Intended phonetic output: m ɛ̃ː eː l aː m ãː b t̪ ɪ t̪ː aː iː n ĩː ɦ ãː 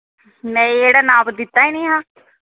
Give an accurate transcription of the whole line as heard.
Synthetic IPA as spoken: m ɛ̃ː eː ɽ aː n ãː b d̪ ɪ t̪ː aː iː n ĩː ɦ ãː